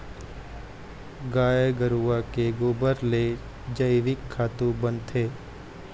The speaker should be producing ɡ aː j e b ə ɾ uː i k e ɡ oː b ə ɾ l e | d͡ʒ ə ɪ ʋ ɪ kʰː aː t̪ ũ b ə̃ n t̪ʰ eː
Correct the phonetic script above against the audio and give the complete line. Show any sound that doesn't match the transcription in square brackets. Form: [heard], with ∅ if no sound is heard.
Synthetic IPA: ɡ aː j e [ɡ] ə ɾ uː [a] k e ɡ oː b ə ɾ l e | d͡ʒ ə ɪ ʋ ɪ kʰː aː t̪ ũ b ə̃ n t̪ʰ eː

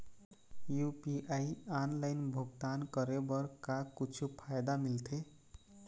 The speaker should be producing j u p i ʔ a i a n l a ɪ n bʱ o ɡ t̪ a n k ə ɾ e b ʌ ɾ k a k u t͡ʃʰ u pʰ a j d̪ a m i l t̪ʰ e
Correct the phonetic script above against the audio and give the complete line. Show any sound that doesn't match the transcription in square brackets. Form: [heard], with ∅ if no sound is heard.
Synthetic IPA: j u p i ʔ a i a n l a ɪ n bʱ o ɡ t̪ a n k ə ɾ e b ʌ ɾ k a k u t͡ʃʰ u pʰ a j d̪ a m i l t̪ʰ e

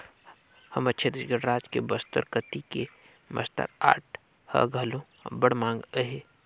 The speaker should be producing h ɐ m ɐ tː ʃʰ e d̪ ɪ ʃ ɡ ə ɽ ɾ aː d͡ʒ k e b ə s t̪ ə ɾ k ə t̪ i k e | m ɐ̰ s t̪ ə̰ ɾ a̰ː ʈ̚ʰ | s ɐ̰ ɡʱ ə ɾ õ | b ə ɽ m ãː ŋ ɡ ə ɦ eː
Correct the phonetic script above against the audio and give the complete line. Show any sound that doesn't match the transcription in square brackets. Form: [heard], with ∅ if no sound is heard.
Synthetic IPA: h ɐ m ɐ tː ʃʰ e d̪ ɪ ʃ ɡ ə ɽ ɾ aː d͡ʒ k e b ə s t̪ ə ɾ k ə t̪ i k e | m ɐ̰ s t̪ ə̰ ɾ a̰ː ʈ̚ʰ | [h] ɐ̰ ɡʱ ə [l] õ | b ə ɽ m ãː ŋ ɡ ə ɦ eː

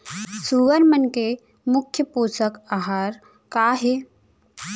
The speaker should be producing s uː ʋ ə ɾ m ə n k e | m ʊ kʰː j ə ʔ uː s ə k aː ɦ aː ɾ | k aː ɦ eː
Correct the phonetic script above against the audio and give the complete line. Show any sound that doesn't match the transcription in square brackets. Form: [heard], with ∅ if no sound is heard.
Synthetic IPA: s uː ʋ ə ɾ m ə n k e | m ʊ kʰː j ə [p] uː s ə k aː ɦ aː ɾ | k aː ɦ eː

